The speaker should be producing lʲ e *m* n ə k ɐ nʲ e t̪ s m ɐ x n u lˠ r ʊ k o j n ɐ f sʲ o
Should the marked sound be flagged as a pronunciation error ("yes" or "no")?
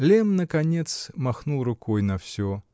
no